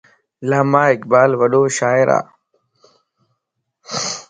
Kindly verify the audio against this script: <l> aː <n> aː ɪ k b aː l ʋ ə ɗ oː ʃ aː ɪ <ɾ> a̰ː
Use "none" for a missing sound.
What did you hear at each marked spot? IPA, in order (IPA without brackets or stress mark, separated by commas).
l, m, ɾ